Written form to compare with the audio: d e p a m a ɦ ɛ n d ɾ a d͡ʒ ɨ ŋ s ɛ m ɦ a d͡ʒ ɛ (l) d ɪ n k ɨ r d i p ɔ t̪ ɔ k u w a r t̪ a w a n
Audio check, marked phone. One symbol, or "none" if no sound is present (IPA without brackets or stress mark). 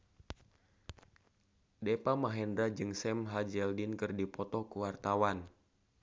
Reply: l